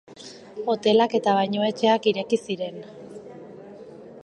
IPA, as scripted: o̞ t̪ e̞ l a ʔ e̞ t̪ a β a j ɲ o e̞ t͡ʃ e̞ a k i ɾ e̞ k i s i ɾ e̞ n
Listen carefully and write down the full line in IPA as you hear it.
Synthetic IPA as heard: o̞ t̪ e̞ l a k e̞ t̪ a β a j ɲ o e̞ t͡ʃ e̞ a k i ɾ e̞ k i s i ɾ e̞ n

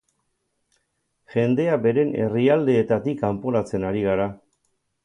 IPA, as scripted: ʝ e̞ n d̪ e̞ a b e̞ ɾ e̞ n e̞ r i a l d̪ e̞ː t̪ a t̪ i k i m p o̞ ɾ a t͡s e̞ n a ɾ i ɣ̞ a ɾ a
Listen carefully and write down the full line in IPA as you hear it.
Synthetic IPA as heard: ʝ e̞ n d̪ e̞ a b e̞ ɾ e̞ n e̞ r i a l d̪ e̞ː t̪ a t̪ i k a m p o̞ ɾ a t͡s e̞ n a ɾ i ɣ̞ a ɾ a

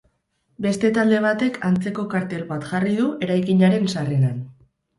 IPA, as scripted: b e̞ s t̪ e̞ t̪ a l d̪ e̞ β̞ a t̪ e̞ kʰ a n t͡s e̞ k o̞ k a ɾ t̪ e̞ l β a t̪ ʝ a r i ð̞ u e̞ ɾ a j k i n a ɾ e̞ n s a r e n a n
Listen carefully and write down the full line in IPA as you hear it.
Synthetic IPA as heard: b e̞ s t̪ e̞ t̪ a l d̪ e̞ β̞ a t̪ e̞ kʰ a n t͡s e̞ k o̞ k a ɾ t̪ e̞ l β a t̪ ʝ a r i ð̞ u e̞ ɾ a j k i ɲ a ɾ e̞ n s a r e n a n

